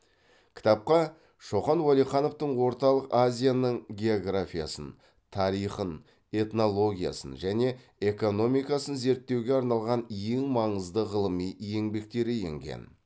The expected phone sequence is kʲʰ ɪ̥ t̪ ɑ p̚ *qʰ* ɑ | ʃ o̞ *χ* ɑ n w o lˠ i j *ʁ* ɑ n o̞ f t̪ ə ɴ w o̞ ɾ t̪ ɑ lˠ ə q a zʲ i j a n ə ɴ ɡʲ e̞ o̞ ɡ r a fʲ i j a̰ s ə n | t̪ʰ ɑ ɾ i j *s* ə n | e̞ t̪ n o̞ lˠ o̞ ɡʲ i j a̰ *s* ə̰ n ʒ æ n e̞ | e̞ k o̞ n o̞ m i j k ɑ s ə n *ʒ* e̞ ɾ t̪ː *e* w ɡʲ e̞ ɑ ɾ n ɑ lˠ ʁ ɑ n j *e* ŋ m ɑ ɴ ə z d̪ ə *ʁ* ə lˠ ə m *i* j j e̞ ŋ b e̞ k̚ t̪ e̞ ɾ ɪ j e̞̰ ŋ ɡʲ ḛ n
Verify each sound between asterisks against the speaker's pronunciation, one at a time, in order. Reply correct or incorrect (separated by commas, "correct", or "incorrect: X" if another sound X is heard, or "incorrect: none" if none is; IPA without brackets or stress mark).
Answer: incorrect: q, correct, incorrect: χ, incorrect: χ, correct, incorrect: z, correct, correct, correct, correct